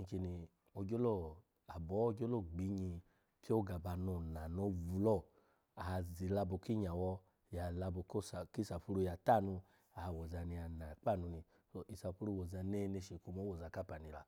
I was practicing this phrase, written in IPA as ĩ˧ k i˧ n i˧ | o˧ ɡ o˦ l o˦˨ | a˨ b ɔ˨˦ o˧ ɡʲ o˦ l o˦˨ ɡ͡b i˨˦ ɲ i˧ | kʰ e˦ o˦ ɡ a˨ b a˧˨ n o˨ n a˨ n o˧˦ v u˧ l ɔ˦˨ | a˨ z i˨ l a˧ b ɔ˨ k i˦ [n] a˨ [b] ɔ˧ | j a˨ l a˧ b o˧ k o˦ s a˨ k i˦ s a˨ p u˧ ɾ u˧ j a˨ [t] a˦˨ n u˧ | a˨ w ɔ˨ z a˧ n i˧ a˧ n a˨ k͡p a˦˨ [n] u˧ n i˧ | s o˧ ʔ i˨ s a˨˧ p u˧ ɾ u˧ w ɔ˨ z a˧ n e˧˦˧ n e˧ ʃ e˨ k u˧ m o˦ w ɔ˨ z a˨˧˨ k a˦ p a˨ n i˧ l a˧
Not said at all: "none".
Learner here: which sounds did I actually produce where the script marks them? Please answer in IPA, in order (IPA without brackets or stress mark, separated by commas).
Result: ɲ, w, t, n